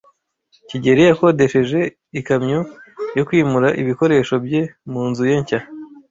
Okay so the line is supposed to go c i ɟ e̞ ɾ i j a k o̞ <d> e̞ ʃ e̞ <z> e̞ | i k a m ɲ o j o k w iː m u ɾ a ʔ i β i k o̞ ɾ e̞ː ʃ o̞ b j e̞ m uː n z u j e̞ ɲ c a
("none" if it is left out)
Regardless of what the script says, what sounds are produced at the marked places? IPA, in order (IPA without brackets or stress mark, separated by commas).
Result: d, ʒ